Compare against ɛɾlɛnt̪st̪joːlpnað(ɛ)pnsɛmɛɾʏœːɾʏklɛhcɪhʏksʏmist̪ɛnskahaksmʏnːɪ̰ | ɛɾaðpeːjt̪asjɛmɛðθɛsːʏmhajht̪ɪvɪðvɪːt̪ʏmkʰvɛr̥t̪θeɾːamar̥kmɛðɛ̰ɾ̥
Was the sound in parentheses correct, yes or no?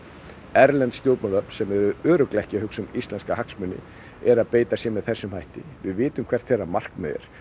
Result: no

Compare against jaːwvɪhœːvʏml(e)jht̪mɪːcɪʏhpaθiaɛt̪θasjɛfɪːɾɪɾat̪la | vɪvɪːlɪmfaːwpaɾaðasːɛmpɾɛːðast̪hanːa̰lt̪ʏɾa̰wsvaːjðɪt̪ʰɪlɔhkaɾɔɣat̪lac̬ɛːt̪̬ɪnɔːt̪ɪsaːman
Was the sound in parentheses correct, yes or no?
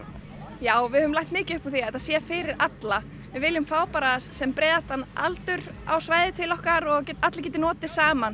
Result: no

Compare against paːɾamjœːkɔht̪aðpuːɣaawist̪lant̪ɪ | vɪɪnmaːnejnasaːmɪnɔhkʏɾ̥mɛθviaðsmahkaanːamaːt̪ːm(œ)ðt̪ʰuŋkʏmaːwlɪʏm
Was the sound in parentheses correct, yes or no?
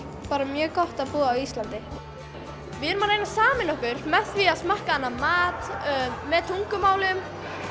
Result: no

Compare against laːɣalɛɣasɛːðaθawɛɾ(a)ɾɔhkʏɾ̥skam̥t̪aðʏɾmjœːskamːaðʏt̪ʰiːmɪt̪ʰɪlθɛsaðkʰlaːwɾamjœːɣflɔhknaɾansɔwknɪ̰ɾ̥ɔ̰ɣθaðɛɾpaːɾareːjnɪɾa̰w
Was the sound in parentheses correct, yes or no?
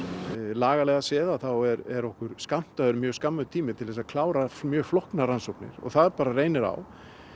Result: no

